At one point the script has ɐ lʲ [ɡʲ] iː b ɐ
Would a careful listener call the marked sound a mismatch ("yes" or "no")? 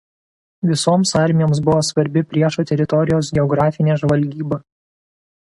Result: no